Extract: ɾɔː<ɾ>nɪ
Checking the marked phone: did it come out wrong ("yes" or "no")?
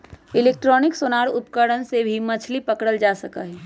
yes